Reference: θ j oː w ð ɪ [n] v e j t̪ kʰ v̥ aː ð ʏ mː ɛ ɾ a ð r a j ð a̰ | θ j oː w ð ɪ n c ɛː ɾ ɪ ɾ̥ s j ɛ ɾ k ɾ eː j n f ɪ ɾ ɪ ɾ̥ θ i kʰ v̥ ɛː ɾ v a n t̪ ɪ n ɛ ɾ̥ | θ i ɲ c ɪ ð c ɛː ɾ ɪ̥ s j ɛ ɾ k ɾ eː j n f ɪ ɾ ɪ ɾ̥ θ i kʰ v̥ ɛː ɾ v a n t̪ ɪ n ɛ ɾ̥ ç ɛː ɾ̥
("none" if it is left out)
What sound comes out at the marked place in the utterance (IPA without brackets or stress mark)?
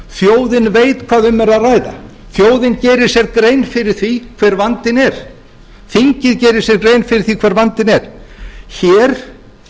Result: n